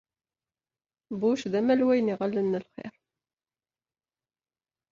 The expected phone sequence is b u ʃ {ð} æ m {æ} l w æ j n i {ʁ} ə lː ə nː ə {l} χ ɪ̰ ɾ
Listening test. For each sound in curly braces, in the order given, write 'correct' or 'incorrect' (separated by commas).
correct, correct, correct, correct